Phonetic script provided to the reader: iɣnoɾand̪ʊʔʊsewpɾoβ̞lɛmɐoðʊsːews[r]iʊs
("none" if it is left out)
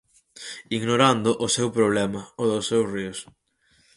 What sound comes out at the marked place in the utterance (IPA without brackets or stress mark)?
r